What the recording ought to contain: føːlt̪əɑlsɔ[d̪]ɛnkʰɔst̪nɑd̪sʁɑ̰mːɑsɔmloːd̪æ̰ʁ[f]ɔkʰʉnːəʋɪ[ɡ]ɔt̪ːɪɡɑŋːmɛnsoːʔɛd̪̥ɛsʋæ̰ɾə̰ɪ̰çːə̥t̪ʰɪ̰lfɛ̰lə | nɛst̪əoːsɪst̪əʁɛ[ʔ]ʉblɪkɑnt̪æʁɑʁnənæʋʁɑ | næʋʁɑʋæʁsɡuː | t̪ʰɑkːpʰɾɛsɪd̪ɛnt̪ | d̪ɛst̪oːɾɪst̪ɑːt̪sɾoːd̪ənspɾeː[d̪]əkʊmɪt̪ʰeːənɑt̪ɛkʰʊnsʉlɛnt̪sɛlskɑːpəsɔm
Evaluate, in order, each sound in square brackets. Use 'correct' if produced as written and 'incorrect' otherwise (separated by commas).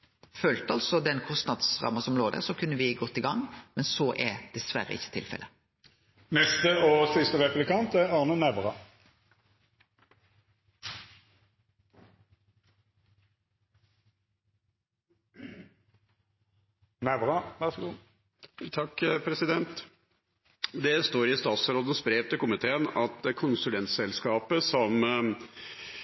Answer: correct, incorrect, correct, incorrect, incorrect